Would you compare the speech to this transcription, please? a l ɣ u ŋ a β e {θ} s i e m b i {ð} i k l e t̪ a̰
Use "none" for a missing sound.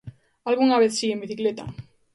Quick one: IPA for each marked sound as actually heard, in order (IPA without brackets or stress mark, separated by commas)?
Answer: θ, θ